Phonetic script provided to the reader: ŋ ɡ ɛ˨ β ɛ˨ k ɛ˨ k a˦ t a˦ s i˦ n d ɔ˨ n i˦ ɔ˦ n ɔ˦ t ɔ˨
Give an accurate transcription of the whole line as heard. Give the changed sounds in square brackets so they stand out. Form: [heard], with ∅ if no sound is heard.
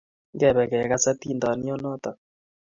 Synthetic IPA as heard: ŋ ɡ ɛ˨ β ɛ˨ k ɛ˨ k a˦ [s] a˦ [t] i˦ n d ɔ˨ n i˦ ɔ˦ n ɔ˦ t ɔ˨